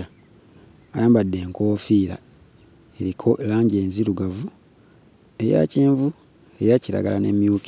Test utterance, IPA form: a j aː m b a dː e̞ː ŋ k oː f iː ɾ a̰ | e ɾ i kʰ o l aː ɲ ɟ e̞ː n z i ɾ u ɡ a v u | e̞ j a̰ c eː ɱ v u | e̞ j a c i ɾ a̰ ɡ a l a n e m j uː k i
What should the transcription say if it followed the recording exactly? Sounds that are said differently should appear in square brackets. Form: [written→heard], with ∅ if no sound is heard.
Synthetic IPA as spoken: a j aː m b a dː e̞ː ŋ k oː f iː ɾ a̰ | e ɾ i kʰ o l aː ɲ ɟ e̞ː n z i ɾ u ɡ a v u | e̞ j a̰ c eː ɱ v u | e̞ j a c i ɾ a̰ ɡ a l a n e m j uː k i